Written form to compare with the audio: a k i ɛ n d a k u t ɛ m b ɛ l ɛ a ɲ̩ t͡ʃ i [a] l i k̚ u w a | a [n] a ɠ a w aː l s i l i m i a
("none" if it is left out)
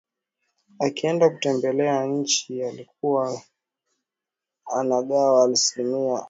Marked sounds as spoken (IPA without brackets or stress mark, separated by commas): a, n